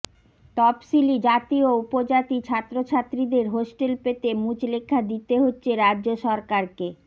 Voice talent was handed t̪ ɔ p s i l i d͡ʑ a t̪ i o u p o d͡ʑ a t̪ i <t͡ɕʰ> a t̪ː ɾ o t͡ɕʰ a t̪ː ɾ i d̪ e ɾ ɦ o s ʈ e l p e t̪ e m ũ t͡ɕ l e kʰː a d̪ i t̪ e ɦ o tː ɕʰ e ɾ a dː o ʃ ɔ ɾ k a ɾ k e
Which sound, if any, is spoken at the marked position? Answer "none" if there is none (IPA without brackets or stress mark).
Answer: t͡ɕʰ